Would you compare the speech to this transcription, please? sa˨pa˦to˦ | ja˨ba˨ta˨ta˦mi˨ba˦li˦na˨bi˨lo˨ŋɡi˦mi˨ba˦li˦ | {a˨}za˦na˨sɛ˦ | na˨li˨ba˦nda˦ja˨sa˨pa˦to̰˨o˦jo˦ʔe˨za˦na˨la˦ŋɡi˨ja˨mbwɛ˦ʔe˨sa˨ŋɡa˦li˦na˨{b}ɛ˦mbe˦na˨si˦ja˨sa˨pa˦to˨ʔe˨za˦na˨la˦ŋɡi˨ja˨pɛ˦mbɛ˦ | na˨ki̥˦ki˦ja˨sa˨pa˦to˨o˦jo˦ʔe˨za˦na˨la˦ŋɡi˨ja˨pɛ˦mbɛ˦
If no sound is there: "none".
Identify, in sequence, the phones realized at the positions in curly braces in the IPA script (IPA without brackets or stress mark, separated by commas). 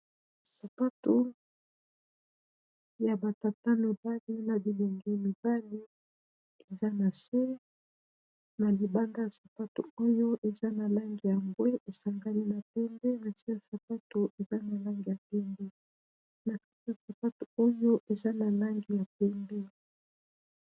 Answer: e˨, p